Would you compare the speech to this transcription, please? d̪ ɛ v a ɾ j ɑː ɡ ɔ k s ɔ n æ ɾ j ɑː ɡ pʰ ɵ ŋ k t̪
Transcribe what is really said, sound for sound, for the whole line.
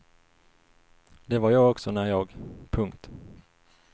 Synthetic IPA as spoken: d̪ ɛ v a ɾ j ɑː ɡ ɔ k s ɔ n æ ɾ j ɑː ɡ pʰ ɵ ŋ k t̪